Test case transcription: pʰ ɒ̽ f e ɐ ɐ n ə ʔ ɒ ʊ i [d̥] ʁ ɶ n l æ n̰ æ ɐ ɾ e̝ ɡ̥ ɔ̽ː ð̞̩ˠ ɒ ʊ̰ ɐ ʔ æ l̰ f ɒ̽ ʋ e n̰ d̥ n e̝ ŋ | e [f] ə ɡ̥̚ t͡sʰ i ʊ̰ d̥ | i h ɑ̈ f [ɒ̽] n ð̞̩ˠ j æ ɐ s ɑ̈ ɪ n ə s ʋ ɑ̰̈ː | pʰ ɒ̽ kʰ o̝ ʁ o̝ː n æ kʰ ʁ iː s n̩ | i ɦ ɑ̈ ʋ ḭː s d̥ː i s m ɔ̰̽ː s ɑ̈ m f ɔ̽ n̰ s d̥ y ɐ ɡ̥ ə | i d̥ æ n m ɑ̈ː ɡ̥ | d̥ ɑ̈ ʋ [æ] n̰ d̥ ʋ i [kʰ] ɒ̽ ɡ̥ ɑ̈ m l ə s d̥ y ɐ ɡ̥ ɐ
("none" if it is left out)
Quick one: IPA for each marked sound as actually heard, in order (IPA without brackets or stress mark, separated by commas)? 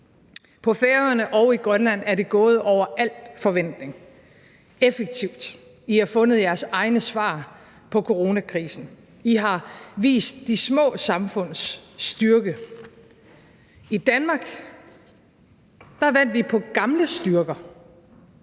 ɡ̥, f, ɔ̽, æ, pʰ